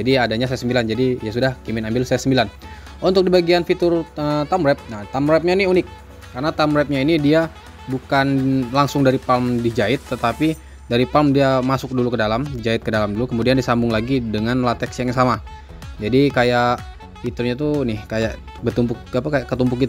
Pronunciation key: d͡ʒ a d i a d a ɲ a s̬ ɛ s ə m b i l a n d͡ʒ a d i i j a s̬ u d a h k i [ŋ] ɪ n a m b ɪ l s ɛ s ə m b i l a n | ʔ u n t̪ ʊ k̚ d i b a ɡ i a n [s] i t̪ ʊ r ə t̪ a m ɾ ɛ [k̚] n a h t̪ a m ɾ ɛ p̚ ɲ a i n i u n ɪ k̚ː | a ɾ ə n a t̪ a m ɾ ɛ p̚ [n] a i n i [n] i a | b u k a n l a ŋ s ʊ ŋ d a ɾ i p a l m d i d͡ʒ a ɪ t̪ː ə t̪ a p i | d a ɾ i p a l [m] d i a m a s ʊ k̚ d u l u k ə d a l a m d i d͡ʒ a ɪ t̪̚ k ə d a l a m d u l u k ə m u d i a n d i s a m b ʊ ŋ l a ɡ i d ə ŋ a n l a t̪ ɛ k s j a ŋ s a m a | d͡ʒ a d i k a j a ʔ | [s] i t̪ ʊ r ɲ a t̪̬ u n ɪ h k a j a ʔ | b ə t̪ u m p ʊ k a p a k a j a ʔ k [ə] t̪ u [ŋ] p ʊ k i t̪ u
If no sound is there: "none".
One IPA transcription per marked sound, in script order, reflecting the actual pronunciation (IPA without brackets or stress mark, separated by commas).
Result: m, f, p̚, ɲ, d, m, f, ə, m